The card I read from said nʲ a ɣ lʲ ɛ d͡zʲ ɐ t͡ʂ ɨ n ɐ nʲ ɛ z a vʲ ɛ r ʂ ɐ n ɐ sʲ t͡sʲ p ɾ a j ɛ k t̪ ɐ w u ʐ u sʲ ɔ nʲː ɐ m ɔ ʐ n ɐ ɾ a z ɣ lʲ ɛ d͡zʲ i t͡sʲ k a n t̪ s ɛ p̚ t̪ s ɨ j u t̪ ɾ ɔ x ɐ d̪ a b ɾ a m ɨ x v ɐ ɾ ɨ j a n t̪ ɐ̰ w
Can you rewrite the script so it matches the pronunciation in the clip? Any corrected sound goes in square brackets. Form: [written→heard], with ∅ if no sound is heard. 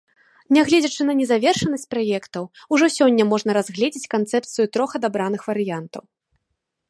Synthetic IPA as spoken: nʲ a ɣ lʲ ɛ d͡zʲ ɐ t͡ʂ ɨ n ɐ nʲ ɛ z a vʲ ɛ r ʂ ɐ n ɐ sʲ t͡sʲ p ɾ a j ɛ k t̪ ɐ w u ʐ [u→ɔ] sʲ ɔ nʲː ɐ m ɔ ʐ n ɐ ɾ a z ɣ lʲ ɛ d͡zʲ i t͡sʲ k a n t̪ s ɛ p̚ t̪ s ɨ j u t̪ ɾ ɔ x ɐ d̪ a b ɾ a [m→n] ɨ x v ɐ ɾ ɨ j a n t̪ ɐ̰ w